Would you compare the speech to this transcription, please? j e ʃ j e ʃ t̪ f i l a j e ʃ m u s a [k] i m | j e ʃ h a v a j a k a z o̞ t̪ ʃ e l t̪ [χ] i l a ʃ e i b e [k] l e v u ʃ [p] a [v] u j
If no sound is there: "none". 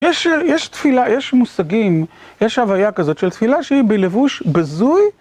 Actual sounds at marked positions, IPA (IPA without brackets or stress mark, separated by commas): ɡ, f, none, b, z